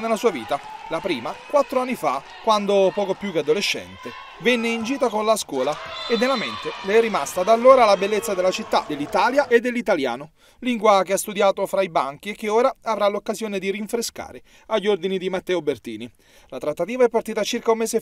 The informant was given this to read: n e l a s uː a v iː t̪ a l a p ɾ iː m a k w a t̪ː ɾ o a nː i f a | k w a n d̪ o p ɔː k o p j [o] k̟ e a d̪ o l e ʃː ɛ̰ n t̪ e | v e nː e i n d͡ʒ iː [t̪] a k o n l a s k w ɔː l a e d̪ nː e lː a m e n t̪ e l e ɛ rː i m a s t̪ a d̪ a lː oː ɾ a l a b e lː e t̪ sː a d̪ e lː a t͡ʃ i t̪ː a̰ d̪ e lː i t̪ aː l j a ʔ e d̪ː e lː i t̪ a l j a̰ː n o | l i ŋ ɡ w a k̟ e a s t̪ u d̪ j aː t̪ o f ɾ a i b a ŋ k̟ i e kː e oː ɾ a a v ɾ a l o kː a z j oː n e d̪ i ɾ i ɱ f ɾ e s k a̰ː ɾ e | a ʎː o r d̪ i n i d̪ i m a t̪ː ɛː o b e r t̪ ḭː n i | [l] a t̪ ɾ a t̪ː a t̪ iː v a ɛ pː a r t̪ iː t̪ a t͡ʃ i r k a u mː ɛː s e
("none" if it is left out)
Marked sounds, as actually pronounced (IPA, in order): u, t̪, l

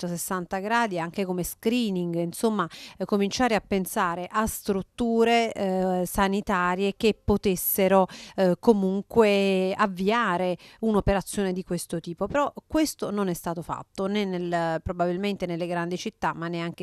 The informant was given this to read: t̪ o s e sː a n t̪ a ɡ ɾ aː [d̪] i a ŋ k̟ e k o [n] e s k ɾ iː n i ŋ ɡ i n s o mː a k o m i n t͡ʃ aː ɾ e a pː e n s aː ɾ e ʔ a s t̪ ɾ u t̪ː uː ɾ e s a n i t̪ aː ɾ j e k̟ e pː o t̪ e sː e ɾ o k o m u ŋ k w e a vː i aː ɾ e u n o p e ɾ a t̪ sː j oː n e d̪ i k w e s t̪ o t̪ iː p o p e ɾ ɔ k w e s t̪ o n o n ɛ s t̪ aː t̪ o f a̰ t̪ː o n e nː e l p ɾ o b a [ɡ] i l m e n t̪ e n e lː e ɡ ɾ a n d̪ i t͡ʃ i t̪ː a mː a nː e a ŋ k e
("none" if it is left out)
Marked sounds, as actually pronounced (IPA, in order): d̪, m, b

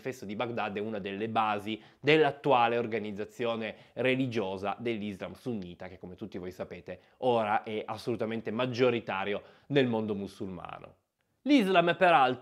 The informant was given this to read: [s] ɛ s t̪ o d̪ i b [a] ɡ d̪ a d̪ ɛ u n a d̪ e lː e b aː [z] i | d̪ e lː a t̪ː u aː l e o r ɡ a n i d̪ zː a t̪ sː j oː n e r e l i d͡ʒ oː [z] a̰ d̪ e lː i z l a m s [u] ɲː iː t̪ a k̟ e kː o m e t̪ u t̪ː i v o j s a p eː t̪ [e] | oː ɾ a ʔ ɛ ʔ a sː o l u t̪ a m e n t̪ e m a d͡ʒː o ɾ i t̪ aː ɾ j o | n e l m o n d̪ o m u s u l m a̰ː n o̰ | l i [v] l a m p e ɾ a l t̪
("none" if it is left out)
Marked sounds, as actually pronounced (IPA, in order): f, a, z, z, u, e, z

